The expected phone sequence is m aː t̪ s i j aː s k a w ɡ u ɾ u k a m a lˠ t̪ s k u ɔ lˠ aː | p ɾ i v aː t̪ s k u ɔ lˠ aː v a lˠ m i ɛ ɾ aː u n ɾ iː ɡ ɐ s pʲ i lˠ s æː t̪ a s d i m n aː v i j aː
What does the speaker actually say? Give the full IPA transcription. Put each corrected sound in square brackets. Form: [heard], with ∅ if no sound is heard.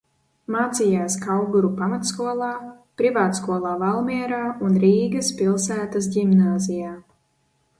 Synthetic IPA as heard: m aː t̪ s i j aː s k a w ɡ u ɾ u [p] a m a [∅] t̪ s k u ɔ lˠ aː | p ɾ i v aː t̪ s k u ɔ lˠ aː v a lˠ m i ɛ ɾ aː u n ɾ iː ɡ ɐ s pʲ i lˠ s æː t̪ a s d i m n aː [z] i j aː